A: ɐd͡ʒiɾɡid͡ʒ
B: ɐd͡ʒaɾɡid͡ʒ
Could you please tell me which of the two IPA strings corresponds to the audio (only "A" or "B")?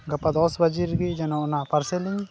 A